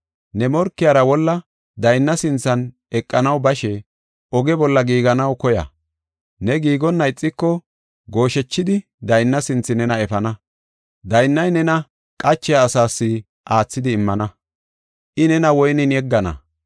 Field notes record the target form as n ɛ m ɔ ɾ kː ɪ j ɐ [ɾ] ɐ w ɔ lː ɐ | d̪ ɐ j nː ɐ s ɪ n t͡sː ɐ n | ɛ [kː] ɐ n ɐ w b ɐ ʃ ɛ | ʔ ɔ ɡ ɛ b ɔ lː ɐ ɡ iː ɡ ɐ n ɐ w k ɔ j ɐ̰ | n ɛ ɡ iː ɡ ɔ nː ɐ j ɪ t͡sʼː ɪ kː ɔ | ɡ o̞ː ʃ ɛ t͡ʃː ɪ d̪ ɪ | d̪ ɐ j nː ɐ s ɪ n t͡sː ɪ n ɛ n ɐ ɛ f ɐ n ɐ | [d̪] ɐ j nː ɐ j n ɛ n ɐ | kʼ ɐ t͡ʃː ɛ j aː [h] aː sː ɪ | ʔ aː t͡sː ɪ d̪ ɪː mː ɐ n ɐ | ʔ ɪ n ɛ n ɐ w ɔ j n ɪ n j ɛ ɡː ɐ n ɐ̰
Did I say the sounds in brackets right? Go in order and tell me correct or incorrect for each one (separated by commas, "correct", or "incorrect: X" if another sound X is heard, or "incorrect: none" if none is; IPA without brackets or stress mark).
correct, incorrect: kʼː, correct, incorrect: s